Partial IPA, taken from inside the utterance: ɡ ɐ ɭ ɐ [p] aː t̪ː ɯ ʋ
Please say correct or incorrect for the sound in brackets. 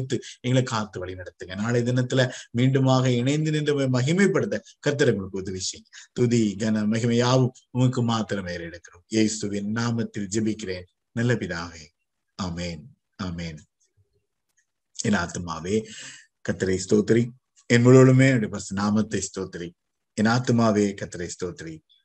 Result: incorrect